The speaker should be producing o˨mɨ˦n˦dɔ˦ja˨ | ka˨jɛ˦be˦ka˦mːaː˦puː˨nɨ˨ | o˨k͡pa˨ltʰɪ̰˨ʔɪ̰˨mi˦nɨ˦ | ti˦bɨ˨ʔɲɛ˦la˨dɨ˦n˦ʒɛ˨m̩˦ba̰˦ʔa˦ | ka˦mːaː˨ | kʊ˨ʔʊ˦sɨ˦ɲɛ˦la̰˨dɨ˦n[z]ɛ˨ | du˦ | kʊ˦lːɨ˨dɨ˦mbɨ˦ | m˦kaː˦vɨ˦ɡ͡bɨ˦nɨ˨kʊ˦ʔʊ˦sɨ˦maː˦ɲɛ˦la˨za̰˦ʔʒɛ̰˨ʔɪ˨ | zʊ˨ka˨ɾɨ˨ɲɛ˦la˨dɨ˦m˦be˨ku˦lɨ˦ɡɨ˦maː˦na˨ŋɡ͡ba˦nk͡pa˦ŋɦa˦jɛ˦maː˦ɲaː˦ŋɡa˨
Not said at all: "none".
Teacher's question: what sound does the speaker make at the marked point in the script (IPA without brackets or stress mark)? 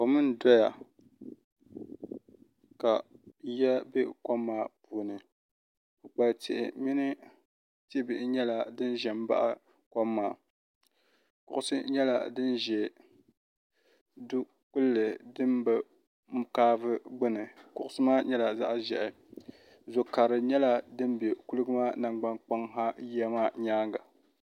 ʒ